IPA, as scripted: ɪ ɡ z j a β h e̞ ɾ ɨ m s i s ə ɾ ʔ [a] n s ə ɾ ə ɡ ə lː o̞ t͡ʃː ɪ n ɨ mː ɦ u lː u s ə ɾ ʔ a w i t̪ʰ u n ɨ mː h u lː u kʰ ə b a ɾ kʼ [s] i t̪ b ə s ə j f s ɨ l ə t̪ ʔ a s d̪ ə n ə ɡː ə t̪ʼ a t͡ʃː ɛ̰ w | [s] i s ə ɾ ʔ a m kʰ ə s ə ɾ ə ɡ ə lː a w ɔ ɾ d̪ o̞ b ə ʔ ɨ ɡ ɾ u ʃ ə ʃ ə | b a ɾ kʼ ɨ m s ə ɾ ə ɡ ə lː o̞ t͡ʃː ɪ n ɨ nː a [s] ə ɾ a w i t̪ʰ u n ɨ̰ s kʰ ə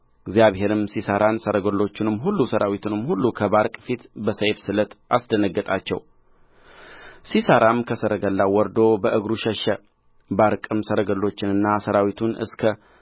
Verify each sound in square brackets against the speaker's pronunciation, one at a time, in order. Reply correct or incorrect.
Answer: correct, incorrect, correct, correct

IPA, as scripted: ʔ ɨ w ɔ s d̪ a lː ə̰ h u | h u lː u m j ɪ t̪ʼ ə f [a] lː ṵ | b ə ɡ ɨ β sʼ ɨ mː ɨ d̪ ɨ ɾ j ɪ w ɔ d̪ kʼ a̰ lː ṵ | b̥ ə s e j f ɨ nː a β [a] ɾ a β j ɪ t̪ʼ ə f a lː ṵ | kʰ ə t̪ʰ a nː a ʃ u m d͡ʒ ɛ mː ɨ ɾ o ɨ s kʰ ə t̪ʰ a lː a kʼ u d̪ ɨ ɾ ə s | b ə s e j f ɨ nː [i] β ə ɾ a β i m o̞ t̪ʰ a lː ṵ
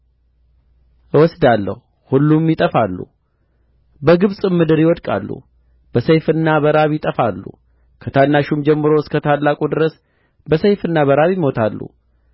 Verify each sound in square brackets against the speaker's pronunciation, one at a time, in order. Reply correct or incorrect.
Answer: correct, incorrect, incorrect

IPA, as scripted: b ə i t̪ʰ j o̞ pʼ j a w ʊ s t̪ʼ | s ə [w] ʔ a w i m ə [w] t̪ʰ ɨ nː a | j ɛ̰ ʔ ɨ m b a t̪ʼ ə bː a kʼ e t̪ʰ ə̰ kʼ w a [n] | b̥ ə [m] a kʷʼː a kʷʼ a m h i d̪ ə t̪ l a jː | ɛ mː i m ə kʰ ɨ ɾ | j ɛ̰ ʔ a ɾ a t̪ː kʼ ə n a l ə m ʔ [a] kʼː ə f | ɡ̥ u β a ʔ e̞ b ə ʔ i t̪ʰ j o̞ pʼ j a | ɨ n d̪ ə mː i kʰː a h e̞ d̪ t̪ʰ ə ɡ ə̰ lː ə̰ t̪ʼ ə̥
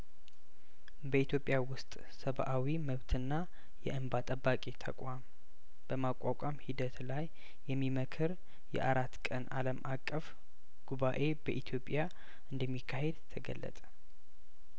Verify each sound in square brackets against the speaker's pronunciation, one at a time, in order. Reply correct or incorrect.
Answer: incorrect, incorrect, incorrect, correct, correct

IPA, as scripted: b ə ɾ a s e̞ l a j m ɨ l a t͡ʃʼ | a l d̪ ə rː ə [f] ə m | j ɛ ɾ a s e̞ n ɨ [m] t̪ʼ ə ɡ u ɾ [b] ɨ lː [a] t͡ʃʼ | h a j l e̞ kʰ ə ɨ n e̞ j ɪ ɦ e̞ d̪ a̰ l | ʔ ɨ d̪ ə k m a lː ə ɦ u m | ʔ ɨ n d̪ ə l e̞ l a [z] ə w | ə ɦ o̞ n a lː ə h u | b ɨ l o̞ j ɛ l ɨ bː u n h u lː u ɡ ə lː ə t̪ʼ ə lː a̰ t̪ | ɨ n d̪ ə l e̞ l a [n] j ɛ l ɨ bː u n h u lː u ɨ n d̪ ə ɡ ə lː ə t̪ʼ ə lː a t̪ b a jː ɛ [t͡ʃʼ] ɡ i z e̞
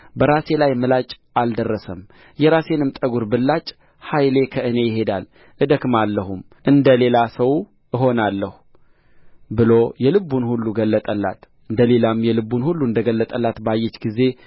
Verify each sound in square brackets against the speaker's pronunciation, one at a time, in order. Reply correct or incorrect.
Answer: incorrect, correct, correct, correct, incorrect, incorrect, incorrect

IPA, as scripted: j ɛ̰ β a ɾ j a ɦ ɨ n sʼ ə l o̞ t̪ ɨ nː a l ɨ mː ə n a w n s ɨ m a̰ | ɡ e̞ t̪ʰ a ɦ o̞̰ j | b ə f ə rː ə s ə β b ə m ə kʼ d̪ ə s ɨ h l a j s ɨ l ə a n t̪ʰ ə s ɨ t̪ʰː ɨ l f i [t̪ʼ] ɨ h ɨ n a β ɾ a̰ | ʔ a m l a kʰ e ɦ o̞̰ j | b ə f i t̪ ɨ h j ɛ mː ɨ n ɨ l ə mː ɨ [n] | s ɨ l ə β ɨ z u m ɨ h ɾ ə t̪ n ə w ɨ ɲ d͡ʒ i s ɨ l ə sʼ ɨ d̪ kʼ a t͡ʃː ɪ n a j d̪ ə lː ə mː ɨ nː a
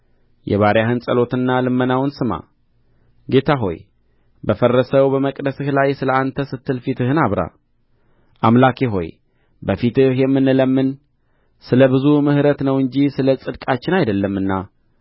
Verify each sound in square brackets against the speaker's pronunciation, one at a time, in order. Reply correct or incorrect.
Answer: incorrect, correct

